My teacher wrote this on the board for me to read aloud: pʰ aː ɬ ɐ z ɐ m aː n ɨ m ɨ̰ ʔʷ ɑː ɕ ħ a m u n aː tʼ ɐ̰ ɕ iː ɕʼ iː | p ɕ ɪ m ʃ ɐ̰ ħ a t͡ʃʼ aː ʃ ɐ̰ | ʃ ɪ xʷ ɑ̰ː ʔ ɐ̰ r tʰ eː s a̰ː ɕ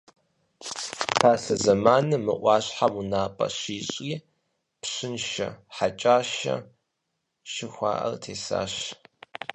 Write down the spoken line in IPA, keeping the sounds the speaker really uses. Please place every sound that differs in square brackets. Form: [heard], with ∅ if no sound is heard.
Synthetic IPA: pʰ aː ɬ ɐ z ɐ m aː n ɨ m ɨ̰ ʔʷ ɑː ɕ ħ a m u n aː [pʼ] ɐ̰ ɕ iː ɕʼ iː | p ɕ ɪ [n] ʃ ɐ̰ ħ a t͡ʃʼ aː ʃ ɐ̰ | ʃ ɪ xʷ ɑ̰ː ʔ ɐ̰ r tʰ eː s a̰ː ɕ